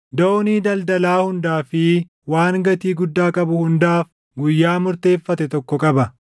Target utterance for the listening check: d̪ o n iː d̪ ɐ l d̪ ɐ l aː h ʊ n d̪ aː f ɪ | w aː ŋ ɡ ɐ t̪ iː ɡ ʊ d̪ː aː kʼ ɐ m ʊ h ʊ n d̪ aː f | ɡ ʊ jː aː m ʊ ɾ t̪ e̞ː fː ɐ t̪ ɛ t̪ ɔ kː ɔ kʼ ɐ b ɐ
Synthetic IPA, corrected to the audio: d̪ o n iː d̪ ɐ l d̪ ɐ l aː h ʊ n d̪ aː f ɪ | w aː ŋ ɡ ɐ t̪ iː ɡ ʊ d̪ː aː kʼ ɐ b ʊ h ʊ n d̪ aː f | ɡ ʊ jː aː m ʊ ɾ t̪ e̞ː fː ɐ t̪ ɛ t̪ ɔ kː ɔ kʼ ɐ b ɐ